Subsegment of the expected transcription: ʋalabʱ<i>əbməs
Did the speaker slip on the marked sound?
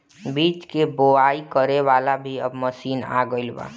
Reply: no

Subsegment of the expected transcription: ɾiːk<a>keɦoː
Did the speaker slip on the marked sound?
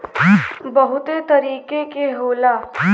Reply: yes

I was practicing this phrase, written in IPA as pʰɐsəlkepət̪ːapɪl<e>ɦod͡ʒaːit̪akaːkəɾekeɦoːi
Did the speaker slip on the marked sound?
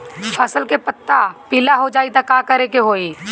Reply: yes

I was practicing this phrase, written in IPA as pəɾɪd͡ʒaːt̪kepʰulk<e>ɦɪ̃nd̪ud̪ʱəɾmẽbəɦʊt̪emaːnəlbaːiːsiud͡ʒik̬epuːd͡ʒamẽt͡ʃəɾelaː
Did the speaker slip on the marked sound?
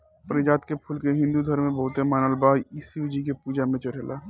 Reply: no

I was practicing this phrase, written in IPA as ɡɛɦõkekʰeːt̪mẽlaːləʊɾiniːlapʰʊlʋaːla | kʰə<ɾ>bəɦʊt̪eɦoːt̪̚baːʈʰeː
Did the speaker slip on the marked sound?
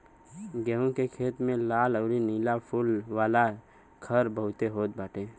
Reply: no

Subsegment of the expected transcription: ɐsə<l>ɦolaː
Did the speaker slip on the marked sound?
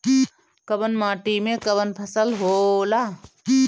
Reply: no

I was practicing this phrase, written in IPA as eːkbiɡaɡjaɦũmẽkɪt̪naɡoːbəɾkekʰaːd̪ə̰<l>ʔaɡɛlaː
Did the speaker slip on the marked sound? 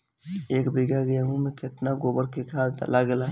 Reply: no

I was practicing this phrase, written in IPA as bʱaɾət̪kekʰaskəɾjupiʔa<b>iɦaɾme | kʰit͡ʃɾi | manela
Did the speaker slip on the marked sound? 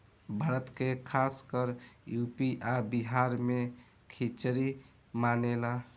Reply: no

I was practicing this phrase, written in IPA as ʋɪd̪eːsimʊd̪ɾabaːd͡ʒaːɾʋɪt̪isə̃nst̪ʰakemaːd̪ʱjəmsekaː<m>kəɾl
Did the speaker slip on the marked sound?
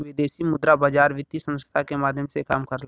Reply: no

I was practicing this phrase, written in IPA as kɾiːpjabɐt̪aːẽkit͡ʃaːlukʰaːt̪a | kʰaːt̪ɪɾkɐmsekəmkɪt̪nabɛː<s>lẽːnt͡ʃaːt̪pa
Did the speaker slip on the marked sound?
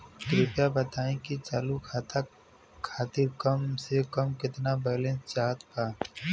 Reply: yes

